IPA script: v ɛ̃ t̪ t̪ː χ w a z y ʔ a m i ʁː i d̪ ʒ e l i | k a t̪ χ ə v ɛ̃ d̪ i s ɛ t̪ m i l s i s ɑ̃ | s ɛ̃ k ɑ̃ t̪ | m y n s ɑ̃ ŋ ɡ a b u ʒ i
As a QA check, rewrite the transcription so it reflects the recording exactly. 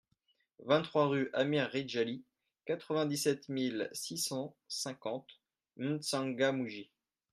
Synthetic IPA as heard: v ɛ̃ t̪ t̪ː χ w a ʁ y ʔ a m i ʁː i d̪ ʒ a l i | k a t̪ χ ə v ɛ̃ d̪ i s ɛ t̪ m i l s i s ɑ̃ | s ɛ̃ k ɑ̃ t̪ | m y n s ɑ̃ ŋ ɡ a m u ʒ i